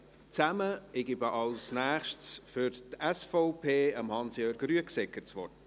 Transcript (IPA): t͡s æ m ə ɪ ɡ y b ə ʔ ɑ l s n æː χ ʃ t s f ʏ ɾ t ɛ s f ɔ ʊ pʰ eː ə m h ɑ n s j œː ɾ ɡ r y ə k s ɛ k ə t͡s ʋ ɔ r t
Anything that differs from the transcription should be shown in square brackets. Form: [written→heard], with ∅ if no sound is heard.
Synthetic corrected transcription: t͡s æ m ə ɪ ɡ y b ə ʔ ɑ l s n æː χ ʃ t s f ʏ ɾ t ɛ s f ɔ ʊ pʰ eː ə m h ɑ n s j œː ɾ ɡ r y ə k s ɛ k ə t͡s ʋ ɔ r t